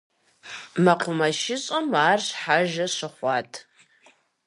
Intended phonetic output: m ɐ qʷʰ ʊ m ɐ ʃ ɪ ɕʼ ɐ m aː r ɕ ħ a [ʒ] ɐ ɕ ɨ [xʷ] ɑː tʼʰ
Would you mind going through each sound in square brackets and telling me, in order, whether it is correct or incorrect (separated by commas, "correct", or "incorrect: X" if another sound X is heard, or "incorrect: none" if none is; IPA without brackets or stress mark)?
correct, incorrect: χʷ